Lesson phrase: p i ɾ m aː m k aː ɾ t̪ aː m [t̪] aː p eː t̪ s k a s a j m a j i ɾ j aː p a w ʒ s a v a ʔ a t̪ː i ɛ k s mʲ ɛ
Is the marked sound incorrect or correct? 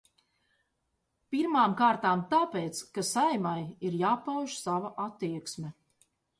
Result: correct